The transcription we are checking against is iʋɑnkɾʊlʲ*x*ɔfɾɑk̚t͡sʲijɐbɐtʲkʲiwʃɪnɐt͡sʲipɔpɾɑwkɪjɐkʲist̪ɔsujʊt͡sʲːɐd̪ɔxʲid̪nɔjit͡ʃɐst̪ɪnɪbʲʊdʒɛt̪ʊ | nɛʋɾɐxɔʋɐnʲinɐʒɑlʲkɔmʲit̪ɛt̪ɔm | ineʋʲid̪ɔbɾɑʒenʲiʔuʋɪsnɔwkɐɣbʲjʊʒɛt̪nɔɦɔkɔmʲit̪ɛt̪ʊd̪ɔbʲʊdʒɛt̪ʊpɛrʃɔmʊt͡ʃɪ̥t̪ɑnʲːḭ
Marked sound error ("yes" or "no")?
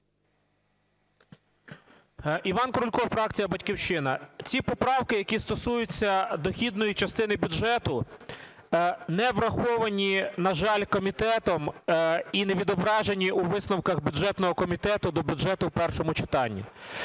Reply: yes